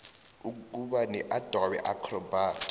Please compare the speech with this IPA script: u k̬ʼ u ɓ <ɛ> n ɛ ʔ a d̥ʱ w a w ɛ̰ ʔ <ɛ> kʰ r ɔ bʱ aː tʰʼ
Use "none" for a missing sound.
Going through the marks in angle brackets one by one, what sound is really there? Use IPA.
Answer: a, a

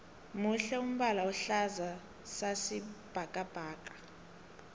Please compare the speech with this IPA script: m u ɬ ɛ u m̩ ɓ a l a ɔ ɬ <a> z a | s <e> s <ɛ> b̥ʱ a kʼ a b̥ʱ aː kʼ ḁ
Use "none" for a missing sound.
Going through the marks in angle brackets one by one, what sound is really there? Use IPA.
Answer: a, a, i

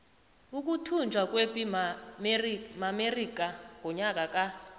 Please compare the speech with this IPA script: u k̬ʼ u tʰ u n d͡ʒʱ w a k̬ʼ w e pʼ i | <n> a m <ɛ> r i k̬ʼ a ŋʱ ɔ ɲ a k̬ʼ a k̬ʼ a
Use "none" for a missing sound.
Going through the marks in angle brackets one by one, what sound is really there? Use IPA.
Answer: m, e

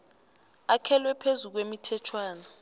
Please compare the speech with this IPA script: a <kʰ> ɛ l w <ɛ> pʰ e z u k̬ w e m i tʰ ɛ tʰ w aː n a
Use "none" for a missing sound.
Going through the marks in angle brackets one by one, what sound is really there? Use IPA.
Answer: kʰ, ɛ

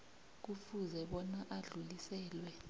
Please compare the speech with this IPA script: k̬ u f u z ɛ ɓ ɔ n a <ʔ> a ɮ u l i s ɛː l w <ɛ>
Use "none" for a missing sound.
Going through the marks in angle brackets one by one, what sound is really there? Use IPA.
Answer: ʔ, ɛ

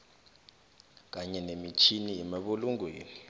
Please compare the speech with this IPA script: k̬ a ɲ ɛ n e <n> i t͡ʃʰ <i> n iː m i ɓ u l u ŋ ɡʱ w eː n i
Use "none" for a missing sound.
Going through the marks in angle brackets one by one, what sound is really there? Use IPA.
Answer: m, i

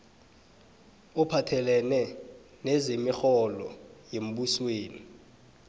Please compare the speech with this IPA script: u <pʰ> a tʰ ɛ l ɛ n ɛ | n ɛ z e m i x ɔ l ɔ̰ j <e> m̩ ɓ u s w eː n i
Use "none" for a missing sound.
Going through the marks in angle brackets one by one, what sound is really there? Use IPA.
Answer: pʰ, e

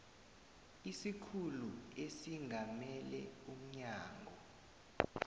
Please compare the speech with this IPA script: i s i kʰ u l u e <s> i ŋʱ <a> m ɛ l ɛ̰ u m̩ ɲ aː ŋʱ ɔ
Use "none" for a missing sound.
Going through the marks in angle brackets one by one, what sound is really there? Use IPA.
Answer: s, a

